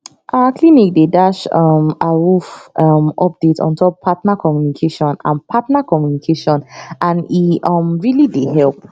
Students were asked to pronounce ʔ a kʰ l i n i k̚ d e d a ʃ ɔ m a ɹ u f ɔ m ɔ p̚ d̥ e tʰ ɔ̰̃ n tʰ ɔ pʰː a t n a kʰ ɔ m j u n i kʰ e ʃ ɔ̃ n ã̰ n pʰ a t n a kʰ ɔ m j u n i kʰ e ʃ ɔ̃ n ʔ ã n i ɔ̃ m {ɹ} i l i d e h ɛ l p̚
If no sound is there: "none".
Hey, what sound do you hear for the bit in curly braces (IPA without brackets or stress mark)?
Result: ɹ